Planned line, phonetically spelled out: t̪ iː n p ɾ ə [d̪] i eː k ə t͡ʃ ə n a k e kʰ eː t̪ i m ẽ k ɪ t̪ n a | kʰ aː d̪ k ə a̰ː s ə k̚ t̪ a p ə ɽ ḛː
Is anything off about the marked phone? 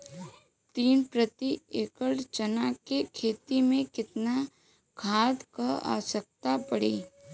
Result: yes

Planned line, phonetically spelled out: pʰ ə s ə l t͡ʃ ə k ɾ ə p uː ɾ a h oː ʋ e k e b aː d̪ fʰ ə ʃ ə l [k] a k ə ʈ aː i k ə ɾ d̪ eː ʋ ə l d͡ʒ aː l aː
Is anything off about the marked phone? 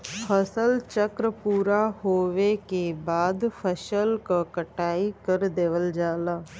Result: no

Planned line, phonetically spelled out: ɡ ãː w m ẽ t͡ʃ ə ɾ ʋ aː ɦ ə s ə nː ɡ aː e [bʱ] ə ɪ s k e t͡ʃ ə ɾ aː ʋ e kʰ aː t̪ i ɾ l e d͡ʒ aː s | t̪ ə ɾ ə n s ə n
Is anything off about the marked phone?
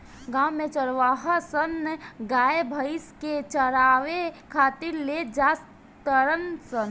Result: no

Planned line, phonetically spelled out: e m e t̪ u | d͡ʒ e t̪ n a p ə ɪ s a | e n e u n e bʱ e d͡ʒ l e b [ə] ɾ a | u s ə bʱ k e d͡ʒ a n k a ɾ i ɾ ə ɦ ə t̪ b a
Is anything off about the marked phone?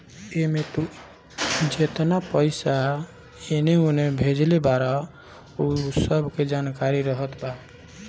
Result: yes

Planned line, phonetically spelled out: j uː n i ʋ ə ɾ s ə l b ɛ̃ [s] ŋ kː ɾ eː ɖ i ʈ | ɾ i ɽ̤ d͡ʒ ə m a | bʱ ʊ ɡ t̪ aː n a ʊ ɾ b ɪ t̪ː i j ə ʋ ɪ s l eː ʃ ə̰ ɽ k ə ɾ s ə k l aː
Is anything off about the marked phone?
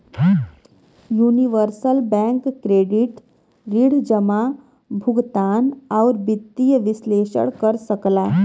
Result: yes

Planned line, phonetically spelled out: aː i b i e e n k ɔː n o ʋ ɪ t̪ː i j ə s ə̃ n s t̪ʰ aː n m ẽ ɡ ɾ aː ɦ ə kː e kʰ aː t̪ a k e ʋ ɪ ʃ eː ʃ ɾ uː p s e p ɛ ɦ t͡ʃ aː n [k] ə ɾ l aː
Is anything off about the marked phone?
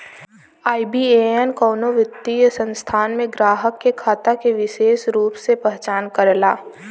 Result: no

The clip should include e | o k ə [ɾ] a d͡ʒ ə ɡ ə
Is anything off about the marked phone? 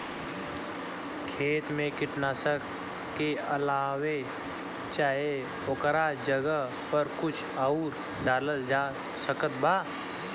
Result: no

